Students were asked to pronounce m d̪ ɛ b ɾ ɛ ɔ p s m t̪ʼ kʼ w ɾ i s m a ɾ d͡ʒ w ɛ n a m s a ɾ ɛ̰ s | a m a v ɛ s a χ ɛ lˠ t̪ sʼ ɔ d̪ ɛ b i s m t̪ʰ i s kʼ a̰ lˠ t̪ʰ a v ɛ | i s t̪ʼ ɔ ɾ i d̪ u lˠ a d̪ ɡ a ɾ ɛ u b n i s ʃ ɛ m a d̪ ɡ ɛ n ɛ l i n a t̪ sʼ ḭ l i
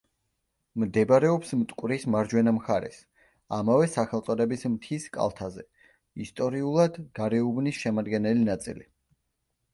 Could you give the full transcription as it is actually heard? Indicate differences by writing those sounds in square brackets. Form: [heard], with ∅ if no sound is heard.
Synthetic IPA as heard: m d̪ ɛ b ɾ ɛ ɔ p s m t̪ʼ kʼ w ɾ i s m a ɾ d͡ʒ w ɛ n a m [χ] a ɾ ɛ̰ s | a m a v ɛ s a χ ɛ lˠ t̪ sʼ ɔ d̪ ɛ b i s m t̪ʰ i s kʼ a̰ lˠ t̪ʰ a [z] ɛ | i s t̪ʼ ɔ ɾ i [∅] u lˠ a d̪ ɡ a ɾ ɛ u b n i s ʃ ɛ m a d̪ ɡ ɛ n ɛ l i n a t̪ sʼ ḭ l i